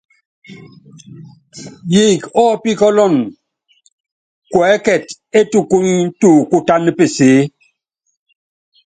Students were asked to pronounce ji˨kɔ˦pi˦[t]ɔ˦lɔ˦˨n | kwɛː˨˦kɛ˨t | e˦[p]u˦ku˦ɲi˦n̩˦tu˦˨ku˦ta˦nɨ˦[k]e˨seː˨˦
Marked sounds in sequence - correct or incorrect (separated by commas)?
incorrect, incorrect, incorrect